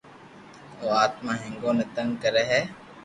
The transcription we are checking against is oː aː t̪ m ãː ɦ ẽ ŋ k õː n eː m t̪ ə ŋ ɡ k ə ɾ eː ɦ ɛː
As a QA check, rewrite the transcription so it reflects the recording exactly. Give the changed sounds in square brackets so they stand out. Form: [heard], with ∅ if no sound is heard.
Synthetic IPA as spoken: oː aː t̪ m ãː ɦ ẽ ŋ [ɡ] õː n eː [∅] t̪ ə ŋ ɡ k ə ɾ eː ɦ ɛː